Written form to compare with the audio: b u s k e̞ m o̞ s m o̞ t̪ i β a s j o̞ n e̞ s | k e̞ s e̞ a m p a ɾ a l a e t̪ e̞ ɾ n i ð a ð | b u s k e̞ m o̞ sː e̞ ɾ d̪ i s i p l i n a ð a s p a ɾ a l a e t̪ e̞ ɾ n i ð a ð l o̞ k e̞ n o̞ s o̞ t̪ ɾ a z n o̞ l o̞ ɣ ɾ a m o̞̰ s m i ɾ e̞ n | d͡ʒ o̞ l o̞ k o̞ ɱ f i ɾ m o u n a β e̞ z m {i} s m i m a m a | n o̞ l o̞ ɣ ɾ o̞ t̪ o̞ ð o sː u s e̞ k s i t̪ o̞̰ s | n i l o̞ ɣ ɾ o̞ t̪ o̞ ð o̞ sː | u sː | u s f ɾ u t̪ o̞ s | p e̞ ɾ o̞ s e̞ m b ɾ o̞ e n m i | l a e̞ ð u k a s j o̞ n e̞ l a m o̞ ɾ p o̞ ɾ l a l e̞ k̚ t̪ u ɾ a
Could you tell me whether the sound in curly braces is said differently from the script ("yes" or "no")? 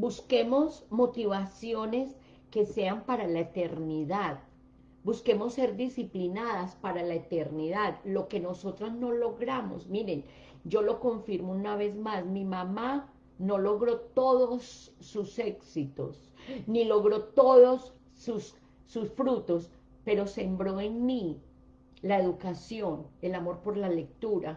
yes